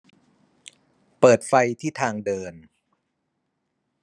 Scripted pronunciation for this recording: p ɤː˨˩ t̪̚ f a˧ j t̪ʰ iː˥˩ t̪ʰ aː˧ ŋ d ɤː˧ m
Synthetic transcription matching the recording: p ɤː˨˩ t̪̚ f a˧ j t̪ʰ iː˥˩ t̪ʰ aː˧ ŋ d ɤː˧ n